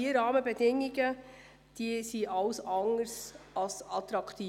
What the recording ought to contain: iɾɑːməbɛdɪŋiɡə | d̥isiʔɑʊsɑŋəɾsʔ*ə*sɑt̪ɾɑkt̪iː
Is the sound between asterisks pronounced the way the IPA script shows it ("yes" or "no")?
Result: no